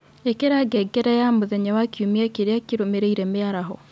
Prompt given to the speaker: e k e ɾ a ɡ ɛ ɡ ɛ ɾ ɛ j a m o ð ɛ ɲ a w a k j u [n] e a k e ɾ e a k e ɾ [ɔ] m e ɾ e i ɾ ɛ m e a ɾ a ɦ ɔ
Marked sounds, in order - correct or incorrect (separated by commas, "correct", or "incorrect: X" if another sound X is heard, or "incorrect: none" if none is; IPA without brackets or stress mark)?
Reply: incorrect: m, incorrect: o